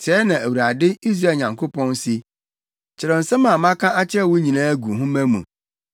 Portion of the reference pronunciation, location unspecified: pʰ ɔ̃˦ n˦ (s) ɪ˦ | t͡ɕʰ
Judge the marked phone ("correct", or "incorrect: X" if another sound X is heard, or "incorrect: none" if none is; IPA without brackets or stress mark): correct